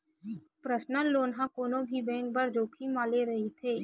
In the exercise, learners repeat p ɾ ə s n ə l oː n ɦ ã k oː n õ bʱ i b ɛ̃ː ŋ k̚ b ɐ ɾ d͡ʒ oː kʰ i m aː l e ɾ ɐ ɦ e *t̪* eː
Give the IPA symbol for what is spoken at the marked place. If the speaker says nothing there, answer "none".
t̪ʰ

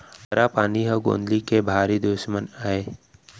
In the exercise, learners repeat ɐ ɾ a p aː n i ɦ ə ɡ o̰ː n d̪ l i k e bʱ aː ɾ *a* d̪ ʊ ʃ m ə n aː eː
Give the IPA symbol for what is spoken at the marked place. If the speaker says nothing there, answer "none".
i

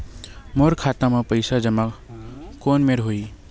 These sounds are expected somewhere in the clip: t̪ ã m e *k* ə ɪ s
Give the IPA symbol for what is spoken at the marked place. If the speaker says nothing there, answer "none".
p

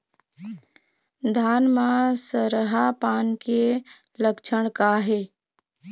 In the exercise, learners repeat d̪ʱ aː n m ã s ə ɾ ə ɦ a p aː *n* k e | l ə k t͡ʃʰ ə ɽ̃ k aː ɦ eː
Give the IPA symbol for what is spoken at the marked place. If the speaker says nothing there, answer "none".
n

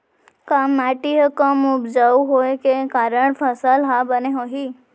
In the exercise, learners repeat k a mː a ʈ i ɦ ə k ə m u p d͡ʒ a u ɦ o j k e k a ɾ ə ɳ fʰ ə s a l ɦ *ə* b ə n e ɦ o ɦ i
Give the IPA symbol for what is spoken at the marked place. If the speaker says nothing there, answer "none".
a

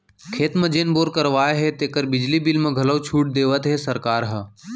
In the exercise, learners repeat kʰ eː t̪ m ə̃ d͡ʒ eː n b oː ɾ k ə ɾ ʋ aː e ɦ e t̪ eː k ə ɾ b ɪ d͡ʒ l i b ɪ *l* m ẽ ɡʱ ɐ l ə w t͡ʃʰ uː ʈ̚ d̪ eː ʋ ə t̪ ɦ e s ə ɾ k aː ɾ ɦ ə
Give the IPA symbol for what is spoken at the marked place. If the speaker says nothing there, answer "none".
l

